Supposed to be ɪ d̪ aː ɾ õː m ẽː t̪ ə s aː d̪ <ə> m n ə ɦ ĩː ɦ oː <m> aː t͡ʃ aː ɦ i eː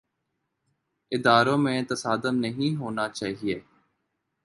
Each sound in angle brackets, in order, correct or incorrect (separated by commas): correct, incorrect